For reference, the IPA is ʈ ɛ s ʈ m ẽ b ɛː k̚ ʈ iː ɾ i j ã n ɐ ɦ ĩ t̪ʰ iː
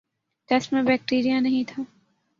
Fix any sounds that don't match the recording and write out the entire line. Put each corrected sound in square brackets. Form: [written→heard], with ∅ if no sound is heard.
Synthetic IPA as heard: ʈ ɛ s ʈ m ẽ b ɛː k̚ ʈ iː ɾ i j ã n ɐ ɦ ĩ t̪ʰ [iː→aː]